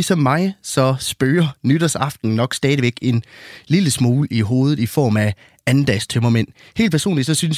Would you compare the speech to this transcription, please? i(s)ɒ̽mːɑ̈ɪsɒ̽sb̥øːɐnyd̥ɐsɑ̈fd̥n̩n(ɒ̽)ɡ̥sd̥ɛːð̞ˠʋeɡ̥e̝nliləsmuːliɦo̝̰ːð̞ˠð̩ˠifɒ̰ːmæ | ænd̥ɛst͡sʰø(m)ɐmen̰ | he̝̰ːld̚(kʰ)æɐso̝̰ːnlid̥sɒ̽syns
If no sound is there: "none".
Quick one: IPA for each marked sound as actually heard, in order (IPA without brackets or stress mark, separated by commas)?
s, ɒ̽, m, pʰ